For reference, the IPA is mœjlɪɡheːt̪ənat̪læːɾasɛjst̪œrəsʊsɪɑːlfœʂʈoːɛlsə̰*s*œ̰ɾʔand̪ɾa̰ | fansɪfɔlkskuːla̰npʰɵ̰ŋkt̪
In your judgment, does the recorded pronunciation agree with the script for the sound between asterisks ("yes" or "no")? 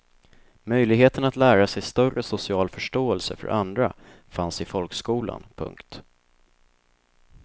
no